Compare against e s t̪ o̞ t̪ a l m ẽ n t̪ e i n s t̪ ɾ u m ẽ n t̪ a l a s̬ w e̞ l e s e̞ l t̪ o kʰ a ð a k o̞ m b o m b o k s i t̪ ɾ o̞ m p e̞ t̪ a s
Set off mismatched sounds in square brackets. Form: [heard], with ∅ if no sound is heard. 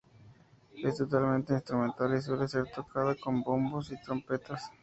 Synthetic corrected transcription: e s t̪ o̞ t̪ a l m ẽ n t̪ e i n s t̪ ɾ u m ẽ n t̪ a l [i] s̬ w e̞ l e s e̞ [ɾ] t̪ o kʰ a ð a k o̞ m b o m b o [∅] s i t̪ ɾ o̞ m p e̞ t̪ a s